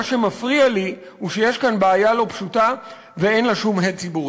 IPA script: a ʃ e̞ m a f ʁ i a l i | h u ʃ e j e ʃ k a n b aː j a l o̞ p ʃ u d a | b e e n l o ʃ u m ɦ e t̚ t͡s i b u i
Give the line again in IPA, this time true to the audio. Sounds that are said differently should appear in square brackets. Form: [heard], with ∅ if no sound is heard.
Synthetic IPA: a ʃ e̞ m a f ʁ i a l i | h u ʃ e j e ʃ k a n b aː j a l o̞ p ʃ u [t] a | [v] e e n l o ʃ u m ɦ e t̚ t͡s i b u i

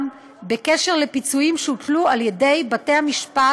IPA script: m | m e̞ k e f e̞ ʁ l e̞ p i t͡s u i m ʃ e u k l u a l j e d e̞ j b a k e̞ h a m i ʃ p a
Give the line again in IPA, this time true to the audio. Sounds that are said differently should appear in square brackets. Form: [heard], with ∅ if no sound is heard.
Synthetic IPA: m | [b] e̞ k e [ʃ] e̞ ʁ l e̞ p i t͡s u i m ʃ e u [t] l u a l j e d e̞ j b a [t] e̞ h a m i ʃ p a

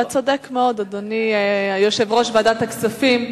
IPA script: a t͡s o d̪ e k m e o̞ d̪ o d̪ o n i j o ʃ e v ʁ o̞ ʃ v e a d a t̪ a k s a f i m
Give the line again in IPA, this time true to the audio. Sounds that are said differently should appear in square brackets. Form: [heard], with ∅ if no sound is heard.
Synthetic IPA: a t͡s o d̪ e k m e o̞ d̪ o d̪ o n i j o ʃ e v ʁ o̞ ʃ v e a d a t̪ a k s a f i m

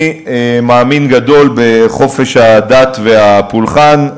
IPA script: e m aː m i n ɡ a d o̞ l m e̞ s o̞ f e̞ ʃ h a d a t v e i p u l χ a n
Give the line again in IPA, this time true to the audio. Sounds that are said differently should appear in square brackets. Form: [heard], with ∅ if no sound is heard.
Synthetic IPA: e m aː m i n ɡ a d o̞ l [b] e̞ [χ] o̞ f e̞ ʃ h a d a t v e [a] p u l χ a n

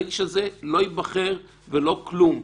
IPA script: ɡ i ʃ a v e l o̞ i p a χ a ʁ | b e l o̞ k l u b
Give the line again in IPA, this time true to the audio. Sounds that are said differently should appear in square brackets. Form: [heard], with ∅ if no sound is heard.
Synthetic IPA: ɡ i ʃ a [z] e l o̞ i [b] a χ [e] ʁ | [v] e l o̞ k l u [m]

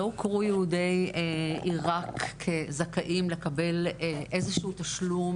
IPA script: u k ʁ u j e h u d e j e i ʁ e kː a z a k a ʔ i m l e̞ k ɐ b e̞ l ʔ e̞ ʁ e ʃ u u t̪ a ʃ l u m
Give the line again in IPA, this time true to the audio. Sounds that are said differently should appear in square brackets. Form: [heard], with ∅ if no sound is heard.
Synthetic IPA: [o] k ʁ u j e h u d e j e i ʁ [a] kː [e] z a k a ʔ i m l e̞ k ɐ b e̞ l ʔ e̞ [z] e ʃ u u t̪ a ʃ l u m

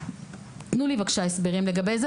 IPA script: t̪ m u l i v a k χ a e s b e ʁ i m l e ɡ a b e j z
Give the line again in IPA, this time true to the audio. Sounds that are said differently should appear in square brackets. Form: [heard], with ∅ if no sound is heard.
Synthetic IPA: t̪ [n] u l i v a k [ʃ] a e s b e ʁ i m l e ɡ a b e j z

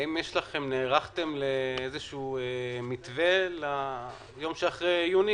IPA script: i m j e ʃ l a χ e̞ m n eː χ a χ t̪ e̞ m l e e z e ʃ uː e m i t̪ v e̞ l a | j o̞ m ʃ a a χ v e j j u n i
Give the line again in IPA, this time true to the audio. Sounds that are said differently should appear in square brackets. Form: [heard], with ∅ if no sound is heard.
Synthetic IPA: i m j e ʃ l a χ e̞ m n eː [ʁ] a χ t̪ e̞ m l e e z e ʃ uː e m i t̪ v e̞ l a | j o̞ m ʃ [e] a χ [ʁ] e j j u n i

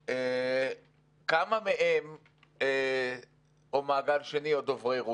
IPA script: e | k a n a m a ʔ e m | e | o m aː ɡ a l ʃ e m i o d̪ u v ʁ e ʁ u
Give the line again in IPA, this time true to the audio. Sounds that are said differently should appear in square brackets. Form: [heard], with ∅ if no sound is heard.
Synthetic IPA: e | k a [m] a m [e] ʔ e m | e | o m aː ɡ a l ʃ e [n] i o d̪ [o] v ʁ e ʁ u

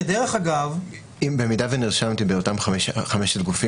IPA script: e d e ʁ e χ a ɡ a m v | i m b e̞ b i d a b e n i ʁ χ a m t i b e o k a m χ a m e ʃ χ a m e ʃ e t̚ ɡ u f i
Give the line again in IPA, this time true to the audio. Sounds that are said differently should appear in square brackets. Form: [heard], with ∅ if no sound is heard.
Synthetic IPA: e d e ʁ e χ a ɡ a [∅] v | i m b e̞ [m] i d a [v] e n i ʁ [ʃ] a m t i b e o [t] a m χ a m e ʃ χ a m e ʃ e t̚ ɡ u f i

